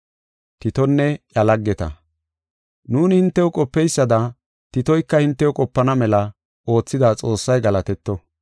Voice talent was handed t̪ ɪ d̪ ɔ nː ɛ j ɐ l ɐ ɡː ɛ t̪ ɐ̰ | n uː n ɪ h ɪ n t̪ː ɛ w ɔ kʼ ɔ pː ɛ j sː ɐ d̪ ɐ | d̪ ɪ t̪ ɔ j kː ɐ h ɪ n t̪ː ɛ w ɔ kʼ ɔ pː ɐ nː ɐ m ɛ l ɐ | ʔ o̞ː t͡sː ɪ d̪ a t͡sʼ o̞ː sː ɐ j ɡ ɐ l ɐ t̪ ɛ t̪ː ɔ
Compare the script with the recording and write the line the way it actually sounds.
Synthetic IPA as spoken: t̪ ɪ t̪ ɔ nː ɛ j ɐ l ɐ ɡː ɛ t̪ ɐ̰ | n uː n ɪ h ɪ n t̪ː ɛ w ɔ kʼ ɔ pː ɛ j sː ɐ d̪ ɐ | t̪ ɪ t̪ ɔ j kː ɐ h ɪ n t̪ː ɛ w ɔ kʼ ɔ pː ɐ n ɐ m ɛ l ɐ | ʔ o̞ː t͡sː ɪ d̪ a t͡sʼ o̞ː sː ɐ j ɡ ɐ l ɐ t̪ ɛ t̪ː ɔ